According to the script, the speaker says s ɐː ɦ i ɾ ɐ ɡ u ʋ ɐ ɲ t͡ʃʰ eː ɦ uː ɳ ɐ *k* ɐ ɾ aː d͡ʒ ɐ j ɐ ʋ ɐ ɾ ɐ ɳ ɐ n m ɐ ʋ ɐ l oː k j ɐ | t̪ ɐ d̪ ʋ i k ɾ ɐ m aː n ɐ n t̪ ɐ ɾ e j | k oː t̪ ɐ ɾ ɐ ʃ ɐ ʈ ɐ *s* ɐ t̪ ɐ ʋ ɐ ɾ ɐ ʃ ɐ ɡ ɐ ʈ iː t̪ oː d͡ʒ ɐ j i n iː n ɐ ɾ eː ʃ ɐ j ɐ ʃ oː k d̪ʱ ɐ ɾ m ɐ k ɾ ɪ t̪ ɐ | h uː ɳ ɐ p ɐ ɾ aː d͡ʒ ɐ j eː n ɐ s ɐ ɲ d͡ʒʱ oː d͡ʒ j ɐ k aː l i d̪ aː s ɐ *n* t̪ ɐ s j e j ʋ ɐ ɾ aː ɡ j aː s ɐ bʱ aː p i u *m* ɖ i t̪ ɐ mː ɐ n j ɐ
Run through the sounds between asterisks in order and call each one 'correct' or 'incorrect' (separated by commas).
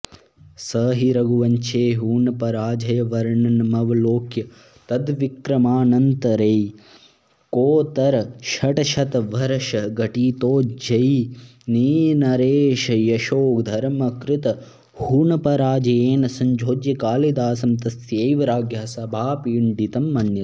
incorrect, incorrect, incorrect, incorrect